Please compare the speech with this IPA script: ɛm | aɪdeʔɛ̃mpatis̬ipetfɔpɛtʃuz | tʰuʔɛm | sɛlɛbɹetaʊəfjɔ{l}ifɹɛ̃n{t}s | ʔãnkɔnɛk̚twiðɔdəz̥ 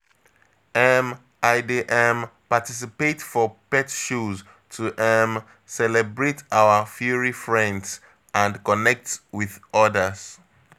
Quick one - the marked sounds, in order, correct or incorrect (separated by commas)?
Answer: incorrect, incorrect